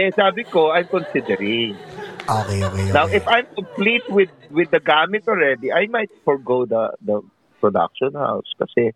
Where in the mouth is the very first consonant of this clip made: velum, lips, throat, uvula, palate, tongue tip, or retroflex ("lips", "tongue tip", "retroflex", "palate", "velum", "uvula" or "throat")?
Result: tongue tip